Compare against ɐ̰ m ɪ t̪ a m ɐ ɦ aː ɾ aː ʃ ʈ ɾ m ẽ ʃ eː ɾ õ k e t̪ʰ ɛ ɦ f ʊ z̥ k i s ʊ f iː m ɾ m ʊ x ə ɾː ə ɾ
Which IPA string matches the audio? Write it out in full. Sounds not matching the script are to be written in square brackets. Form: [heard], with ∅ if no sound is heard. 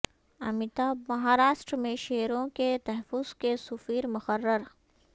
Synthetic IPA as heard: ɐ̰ m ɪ t̪ a m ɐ ɦ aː ɾ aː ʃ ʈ ɾ m ẽ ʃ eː ɾ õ k e [t̪] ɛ ɦ f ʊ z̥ k [e] s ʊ f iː [∅] ɾ m ʊ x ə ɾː ə ɾ